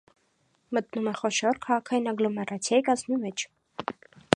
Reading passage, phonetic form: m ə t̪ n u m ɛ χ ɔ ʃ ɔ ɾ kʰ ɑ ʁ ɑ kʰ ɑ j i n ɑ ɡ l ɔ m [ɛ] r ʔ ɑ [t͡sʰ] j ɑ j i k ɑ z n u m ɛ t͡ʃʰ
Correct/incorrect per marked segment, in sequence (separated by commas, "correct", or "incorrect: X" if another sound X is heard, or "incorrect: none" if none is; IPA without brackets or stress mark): correct, correct